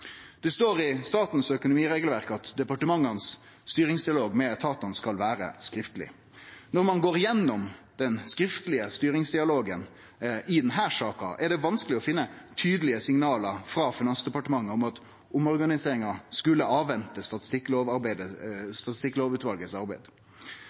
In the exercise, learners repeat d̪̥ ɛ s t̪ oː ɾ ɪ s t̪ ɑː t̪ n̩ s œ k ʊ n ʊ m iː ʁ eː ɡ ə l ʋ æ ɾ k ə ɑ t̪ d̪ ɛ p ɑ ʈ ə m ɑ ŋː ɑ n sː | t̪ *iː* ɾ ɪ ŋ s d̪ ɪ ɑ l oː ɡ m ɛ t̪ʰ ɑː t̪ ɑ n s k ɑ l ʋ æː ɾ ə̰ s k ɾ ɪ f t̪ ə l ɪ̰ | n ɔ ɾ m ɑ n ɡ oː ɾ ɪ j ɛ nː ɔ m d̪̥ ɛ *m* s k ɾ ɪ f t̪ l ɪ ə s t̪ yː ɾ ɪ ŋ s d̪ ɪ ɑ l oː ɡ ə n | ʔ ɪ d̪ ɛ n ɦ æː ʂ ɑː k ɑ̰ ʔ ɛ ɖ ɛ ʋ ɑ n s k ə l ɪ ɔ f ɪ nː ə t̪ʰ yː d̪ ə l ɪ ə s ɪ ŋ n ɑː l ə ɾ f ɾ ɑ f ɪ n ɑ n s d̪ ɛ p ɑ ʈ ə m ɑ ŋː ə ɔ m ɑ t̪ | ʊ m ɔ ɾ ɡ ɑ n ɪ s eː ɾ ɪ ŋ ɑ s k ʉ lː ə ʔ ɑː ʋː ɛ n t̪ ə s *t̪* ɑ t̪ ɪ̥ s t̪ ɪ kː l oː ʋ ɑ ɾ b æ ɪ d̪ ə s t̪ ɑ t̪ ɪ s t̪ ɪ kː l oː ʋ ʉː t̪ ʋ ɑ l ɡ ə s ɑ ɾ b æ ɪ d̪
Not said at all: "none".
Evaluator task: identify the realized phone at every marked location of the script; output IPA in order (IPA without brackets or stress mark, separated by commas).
yː, n, t̪